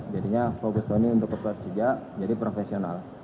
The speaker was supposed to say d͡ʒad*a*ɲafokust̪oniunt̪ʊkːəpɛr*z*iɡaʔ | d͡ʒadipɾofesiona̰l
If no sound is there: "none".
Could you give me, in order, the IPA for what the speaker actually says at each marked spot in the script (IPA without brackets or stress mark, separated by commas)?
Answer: i, s